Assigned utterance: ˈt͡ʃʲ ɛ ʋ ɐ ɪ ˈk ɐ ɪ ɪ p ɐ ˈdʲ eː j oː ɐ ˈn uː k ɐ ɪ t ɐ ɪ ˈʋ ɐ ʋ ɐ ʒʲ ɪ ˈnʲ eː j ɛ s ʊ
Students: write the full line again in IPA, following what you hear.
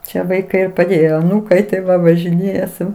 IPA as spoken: ˈt͡ʃʲ ɛ ʋ ɐ ɪ ˈk ɐ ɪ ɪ p ɐ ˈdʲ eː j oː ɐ ˈn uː k ɐ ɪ t ɐ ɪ ˈʋ ɐ ʋ ɐ ʒʲ ɪ ˈnʲ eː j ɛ s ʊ